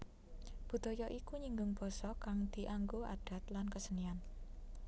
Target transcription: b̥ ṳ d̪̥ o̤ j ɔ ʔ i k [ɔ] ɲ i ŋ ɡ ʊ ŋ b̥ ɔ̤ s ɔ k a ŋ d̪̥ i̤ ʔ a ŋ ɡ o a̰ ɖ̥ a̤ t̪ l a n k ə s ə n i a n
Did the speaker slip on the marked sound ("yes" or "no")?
yes